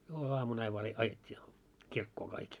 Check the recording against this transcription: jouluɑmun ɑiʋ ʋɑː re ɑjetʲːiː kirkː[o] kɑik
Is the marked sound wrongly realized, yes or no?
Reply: yes